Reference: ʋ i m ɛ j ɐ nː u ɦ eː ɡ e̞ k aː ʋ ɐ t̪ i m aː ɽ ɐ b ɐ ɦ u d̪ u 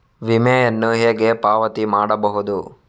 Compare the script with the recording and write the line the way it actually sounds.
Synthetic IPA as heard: ʋ i m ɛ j ɐ nː u ɦ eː ɡ e̞ p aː ʋ ɐ t̪ i m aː ɽ ɐ b ɐ ɦ u d̪ u